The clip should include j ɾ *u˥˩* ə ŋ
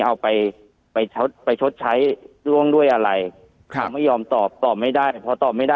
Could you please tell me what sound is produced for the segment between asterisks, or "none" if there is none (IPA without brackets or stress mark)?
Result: u˥˩